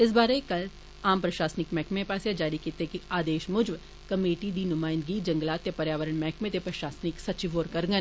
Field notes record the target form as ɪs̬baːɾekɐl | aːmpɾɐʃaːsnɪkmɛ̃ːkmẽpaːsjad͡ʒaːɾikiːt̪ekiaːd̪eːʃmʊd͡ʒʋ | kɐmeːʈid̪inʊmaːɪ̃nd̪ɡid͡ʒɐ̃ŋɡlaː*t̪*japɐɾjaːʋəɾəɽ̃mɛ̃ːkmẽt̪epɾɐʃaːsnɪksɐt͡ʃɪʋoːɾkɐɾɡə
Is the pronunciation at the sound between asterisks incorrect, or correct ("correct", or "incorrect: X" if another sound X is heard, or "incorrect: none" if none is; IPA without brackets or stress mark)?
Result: correct